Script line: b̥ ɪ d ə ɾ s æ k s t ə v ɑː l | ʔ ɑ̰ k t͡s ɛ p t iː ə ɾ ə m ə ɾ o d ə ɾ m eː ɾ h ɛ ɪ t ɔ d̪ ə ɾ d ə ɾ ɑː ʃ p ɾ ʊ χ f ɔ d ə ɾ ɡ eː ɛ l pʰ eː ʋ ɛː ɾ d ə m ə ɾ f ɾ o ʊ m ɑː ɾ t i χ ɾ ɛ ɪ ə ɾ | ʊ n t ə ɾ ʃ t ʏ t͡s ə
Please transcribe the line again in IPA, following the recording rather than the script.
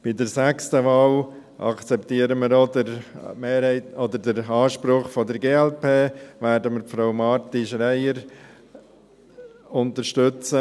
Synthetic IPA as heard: b̥ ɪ d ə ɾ s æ k s t ə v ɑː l | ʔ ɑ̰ k t͡s ɛ p t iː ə ɾ ə m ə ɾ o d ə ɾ m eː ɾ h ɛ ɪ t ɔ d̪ ə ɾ d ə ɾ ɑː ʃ p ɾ ʊ χ f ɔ d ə ɾ ɡ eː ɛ l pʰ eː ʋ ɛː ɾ d ə m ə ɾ f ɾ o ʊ m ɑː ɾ t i ʃ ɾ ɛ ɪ ə ɾ | ʊ n t ə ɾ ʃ t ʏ t͡s ə